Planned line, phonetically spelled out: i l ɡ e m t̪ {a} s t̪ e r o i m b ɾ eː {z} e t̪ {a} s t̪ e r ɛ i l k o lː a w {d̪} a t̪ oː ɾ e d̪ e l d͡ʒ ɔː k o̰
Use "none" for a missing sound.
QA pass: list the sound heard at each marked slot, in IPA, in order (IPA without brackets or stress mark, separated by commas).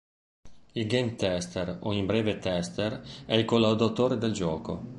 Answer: ɛ, v, ɛ, d̪